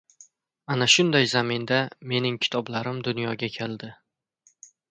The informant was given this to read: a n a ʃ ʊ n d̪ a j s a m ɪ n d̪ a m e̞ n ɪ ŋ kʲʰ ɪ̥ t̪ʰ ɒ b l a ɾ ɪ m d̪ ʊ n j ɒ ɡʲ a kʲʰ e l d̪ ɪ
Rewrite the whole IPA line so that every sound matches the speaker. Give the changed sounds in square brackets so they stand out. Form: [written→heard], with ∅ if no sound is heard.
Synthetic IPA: a n a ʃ ʊ n d̪ a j [s→z] a m ɪ n d̪ a m e̞ n ɪ ŋ kʲʰ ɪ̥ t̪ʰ ɒ b l a ɾ ɪ m d̪ ʊ n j ɒ ɡʲ a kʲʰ e l d̪ ɪ